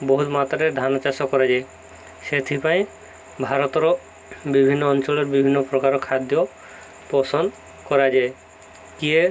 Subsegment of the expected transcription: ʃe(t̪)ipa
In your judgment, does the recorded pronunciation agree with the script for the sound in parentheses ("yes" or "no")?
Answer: no